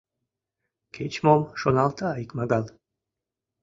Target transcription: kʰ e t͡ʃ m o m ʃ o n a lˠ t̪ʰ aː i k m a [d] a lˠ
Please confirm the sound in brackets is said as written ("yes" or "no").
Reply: no